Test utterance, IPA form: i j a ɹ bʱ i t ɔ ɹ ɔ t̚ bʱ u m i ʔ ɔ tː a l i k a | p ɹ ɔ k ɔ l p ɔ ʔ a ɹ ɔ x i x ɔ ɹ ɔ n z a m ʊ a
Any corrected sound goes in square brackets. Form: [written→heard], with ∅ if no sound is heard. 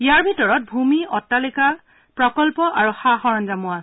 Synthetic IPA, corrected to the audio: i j a ɹ bʱ i t ɔ ɹ ɔ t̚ bʱ u m i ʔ ɔ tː a l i k a | p ɹ ɔ k ɔ l p ɔ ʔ a ɹ [ɔ→u] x [i→a] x ɔ ɹ ɔ n z a m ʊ a